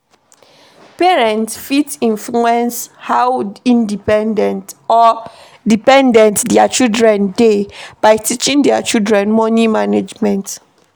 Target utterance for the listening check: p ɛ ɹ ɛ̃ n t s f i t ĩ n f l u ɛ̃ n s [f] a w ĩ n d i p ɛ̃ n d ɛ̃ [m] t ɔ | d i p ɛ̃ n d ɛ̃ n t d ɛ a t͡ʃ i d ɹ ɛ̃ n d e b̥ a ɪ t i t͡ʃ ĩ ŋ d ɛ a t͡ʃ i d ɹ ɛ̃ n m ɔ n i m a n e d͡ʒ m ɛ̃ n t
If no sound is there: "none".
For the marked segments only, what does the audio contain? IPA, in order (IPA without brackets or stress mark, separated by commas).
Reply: h, n